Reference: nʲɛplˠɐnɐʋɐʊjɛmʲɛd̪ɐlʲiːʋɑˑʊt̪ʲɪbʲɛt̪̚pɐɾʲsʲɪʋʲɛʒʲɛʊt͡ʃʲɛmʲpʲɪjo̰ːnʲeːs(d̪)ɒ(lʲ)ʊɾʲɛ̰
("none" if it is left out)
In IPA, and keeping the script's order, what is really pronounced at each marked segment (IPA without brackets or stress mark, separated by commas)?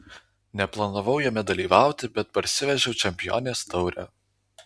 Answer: t̪, none